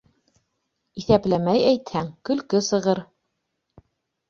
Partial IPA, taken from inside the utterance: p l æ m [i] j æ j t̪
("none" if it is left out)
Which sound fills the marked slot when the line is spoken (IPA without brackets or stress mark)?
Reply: æ